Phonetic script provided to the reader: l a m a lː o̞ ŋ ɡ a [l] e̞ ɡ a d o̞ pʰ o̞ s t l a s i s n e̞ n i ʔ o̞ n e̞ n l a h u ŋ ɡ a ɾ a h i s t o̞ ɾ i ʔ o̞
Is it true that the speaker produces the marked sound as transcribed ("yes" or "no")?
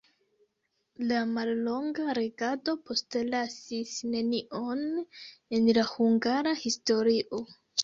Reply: no